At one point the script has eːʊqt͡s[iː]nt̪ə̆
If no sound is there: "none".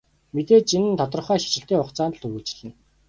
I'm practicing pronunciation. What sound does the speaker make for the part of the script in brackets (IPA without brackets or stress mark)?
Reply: aː